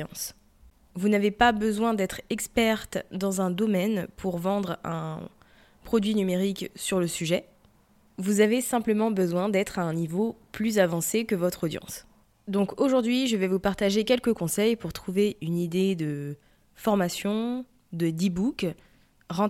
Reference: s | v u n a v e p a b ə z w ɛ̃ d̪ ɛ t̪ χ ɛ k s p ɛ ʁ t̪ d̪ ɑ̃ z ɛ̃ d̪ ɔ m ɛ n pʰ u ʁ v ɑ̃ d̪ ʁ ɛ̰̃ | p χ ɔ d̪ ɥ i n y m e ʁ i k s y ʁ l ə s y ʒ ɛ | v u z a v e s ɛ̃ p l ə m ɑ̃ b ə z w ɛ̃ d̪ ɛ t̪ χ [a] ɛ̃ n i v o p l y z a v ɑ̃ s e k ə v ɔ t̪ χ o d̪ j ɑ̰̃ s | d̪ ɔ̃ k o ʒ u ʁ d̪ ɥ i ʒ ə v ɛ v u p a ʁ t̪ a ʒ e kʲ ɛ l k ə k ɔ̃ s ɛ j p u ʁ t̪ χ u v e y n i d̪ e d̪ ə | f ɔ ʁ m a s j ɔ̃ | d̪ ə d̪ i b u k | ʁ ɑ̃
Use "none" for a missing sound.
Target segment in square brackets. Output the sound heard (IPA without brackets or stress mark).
a